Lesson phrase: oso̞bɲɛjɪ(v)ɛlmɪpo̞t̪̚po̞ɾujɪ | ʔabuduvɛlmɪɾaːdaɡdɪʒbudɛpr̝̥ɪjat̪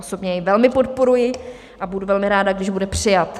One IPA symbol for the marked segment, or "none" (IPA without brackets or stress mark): v